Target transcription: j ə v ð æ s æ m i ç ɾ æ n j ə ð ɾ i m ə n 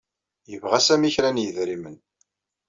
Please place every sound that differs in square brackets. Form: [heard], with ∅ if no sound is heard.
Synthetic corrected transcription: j ə v [ʁ] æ s æ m i ç ɾ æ n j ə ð ɾ i m ə n